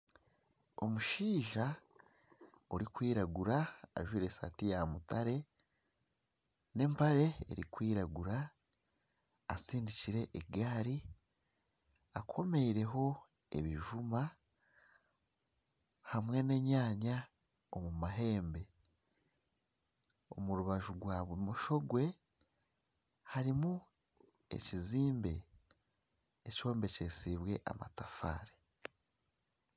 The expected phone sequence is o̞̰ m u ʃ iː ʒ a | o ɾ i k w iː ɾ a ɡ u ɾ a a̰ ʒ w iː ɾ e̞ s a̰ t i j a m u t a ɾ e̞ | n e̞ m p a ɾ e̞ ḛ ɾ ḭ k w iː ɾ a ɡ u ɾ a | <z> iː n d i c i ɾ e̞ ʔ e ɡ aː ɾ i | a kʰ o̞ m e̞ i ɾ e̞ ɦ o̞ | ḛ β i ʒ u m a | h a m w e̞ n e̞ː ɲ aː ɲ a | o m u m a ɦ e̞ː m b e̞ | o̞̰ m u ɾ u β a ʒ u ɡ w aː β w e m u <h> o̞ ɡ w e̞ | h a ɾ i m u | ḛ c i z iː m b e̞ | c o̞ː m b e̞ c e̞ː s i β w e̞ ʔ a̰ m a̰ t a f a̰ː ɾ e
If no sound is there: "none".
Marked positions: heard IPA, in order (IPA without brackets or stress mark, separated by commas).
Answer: s, ʃ